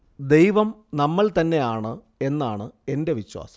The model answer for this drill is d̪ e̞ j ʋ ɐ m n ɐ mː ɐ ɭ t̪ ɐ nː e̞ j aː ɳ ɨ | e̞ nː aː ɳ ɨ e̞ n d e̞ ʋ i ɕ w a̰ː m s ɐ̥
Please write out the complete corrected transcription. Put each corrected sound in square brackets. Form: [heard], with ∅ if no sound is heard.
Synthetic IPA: d̪ e̞ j ʋ ɐ m n ɐ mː ɐ ɭ t̪ ɐ nː e̞ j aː ɳ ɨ | e̞ nː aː ɳ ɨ e̞ n d e̞ ʋ i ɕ w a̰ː [∅] s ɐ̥